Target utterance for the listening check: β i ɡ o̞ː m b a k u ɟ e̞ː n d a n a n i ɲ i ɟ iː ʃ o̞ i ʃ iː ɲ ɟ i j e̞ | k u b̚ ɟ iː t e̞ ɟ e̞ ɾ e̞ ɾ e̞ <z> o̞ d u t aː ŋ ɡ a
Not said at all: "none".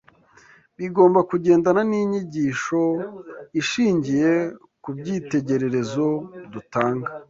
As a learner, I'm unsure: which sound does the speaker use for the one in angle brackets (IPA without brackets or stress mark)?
z